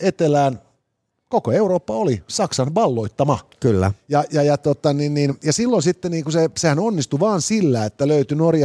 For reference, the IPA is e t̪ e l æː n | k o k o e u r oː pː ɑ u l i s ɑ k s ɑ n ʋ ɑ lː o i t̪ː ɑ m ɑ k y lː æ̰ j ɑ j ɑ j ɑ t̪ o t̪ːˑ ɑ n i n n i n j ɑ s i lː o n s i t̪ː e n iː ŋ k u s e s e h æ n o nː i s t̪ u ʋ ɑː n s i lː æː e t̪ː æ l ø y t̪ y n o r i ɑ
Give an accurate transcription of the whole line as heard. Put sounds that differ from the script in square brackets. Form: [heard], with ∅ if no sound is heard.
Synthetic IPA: e t̪ e l æː n | k o k o e u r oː pː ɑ [o] l i s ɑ k s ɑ n ʋ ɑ lː o i t̪ː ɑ m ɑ k y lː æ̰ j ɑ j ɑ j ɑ t̪ o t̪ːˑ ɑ n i n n i n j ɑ s i lː o n s i t̪ː e n iː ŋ k u s e s e h æ n o nː i s t̪ u ʋ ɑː n s i lː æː e t̪ː æ l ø y t̪ y n o r [j] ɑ